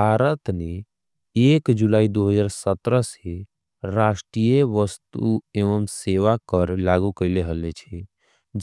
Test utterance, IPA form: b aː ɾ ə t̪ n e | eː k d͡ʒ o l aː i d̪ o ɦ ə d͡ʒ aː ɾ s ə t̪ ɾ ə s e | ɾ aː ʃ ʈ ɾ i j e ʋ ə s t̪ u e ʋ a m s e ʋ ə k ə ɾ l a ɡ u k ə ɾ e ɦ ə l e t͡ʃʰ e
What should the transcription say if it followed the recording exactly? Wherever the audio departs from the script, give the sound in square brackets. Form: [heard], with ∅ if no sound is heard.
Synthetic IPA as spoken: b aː ɾ ə t̪ n e | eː k d͡ʒ [u] l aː i d̪ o ɦ ə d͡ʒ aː ɾ s ə t̪ ɾ ə s e | ɾ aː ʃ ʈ ɾ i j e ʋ ə s t̪ u e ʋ [ə] m s e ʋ [a] k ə ɾ l a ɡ u k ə [l] e ɦ ə l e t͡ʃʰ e

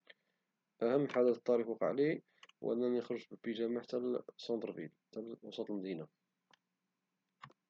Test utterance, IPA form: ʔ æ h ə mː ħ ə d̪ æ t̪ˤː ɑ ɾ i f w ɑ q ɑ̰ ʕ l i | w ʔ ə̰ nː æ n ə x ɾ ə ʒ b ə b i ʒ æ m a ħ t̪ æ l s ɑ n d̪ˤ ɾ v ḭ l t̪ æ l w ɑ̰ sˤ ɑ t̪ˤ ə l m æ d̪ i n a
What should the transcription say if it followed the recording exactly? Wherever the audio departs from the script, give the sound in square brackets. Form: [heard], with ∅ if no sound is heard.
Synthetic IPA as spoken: ʔ æ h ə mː ħ [a] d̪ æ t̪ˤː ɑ ɾ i f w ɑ q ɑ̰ ʕ l i | w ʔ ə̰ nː æ n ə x ɾ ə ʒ b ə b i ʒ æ m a ħ t̪ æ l s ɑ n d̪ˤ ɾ v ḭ l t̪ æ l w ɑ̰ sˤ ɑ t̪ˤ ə l m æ d̪ i n a

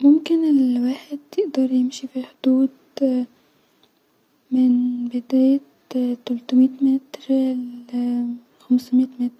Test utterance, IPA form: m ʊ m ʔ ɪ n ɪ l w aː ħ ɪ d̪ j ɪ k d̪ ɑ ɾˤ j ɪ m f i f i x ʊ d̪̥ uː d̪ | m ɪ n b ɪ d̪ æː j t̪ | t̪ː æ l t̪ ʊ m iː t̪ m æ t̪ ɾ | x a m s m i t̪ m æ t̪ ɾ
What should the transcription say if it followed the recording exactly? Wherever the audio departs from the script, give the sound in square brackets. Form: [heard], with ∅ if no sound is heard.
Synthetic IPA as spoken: m ʊ m [k] ɪ n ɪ l w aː ħ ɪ d̪ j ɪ [ʔ] d̪ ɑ ɾˤ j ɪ m [ʃ] i f i [ħ] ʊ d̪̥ uː d̪ | m ɪ n b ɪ d̪ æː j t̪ | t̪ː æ l t̪ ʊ m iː t̪ m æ t̪ ɾ | x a m s m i t̪ m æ t̪ ɾ

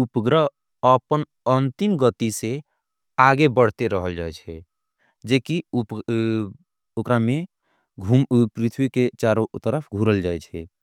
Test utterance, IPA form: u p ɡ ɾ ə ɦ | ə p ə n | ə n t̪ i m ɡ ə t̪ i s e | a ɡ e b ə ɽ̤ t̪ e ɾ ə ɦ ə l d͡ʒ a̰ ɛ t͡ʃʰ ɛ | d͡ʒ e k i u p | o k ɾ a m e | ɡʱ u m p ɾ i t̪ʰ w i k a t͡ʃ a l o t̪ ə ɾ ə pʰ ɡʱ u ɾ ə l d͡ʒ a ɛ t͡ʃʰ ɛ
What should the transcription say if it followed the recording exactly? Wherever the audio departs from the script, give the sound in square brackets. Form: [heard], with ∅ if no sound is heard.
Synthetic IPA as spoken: u p ɡ ɾ ə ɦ | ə p ə n | ə n t̪ i m ɡ ə t̪ i s e | a ɡ e b ə ɽ̤ t̪ e ɾ ə ɦ ə l d͡ʒ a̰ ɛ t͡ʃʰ ɛ | d͡ʒ e k i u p | o k ɾ a m e | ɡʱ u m p ɾ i t̪ʰ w i k [e] t͡ʃ a [ɾ] o t̪ ə ɾ ə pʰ ɡʱ u ɾ ə l d͡ʒ a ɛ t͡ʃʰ ɛ

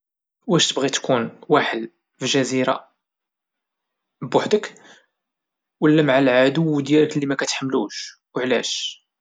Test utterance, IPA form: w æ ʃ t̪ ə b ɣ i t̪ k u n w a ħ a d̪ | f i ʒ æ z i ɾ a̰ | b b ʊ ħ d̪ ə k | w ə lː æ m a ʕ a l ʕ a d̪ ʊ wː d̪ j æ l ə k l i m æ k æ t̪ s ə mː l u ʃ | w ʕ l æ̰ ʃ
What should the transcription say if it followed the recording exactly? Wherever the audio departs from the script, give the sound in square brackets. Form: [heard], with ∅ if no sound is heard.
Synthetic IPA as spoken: w æ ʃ t̪ ə b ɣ i t̪ k u n w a ħ [ə] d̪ | f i ʒ æ z i ɾ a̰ | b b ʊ ħ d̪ ə k | w ə lː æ m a ʕ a l ʕ a d̪ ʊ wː d̪ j æ l ə k l i m æ k æ t̪ [ħ] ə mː l u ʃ | w ʕ l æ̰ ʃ

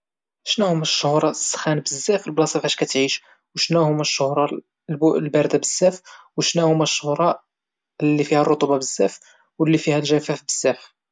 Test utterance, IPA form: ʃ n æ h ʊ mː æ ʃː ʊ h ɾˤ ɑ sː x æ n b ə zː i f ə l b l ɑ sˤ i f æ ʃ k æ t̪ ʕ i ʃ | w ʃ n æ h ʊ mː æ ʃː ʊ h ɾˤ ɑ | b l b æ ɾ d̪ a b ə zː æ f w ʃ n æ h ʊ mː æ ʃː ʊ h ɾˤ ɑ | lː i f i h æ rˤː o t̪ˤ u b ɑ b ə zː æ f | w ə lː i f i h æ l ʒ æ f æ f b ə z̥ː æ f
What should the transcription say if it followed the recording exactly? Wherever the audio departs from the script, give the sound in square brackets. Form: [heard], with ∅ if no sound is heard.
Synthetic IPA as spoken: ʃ n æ h ʊ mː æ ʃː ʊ h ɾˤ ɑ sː x æ n b ə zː [æ] f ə l b l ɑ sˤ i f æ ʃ k æ t̪ ʕ i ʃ | w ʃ n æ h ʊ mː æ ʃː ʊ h ɾˤ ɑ | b l b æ ɾ d̪ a b ə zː æ f w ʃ n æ h ʊ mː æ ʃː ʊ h ɾˤ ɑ | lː i f i h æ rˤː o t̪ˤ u b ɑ b ə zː æ f | w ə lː i f i h æ l ʒ æ f æ f b ə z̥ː æ f

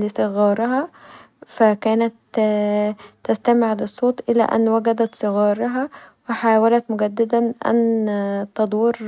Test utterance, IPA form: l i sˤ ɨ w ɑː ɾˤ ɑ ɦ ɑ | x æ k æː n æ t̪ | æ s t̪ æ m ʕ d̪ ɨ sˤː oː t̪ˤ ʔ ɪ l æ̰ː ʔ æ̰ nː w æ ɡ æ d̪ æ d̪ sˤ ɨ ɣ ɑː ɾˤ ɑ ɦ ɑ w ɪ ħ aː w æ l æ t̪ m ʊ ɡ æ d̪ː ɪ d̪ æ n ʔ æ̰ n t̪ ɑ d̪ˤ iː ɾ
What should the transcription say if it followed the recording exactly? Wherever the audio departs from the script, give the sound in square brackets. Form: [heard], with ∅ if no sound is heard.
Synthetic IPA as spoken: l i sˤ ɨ [ɣ] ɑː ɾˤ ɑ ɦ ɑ | [f] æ k æː n æ t̪ | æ s t̪ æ m ʕ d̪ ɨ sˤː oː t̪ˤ ʔ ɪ l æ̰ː ʔ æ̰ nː w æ ɡ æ d̪ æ [t̪] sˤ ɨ ɣ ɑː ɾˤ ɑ ɦ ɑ w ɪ ħ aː w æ l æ t̪ m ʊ ɡ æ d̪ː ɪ d̪ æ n ʔ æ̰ n t̪ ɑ d̪ˤ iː ɾ

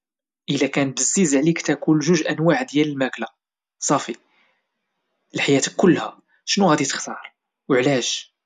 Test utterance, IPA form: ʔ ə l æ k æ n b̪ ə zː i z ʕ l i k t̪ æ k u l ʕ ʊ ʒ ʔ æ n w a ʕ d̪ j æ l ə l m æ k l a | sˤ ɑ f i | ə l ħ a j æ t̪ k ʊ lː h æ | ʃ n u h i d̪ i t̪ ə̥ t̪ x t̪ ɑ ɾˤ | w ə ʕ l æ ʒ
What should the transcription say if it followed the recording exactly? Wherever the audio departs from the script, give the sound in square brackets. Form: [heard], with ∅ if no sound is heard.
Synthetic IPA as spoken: ʔ ə l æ k æ n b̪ ə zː i z ʕ l i k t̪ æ k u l [ʒ] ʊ ʒ ʔ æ n w a ʕ d̪ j æ l ə l m æ k l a | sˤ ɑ f i | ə l ħ a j æ t̪ k ʊ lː h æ | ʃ n u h [æ] d̪ i t̪ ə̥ [∅] x t̪ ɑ ɾˤ | w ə ʕ l æ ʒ

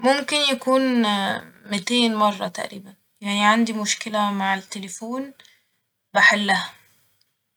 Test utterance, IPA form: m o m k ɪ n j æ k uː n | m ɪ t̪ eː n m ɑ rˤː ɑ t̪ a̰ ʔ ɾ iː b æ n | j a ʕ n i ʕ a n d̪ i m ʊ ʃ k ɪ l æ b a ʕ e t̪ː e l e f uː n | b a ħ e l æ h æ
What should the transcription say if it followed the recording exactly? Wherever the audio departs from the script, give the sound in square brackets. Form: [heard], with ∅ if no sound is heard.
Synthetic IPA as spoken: m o m k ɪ n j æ k uː n | m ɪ t̪ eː n m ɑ rˤː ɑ t̪ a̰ ʔ ɾ iː b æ n | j a ʕ n i ʕ a n d̪ i m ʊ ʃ k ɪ l æ [m] a ʕ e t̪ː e l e f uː n | b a ħ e [lː] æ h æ

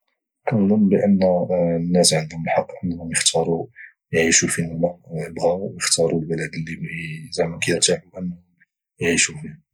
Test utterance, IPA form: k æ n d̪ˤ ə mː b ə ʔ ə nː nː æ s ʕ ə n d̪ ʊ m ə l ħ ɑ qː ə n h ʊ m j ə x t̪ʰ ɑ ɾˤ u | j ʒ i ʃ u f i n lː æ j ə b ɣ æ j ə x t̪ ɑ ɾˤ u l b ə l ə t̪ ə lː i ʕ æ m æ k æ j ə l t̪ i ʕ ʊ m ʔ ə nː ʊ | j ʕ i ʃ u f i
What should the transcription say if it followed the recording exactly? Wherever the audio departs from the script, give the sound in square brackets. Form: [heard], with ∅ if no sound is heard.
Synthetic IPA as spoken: k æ n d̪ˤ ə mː b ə ʔ ə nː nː æ s ʕ ə n d̪ ʊ m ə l ħ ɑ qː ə n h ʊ m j ə x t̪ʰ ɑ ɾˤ u | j [ʕ] i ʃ u f i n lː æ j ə b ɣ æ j ə x t̪ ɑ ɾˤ u l b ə l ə [d̪] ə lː i [z] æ m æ k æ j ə [ɾ] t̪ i ʕ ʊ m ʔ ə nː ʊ | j ʕ i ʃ u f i

